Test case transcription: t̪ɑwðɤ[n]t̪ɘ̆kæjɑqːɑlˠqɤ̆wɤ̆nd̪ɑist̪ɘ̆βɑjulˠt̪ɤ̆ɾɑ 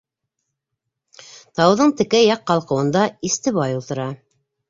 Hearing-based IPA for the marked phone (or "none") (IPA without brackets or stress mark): ɴ